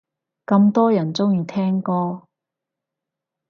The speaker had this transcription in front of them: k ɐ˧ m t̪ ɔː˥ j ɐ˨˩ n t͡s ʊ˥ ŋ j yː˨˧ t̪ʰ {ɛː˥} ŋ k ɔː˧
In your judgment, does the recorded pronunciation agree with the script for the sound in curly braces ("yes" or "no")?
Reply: yes